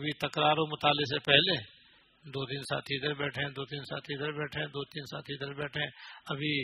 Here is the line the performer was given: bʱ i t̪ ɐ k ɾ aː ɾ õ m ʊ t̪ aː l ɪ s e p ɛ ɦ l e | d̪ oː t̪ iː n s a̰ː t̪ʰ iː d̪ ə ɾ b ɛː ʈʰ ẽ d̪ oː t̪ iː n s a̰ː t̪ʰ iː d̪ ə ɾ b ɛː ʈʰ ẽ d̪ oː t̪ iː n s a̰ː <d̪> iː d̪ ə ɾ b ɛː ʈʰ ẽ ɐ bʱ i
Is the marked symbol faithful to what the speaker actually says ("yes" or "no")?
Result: no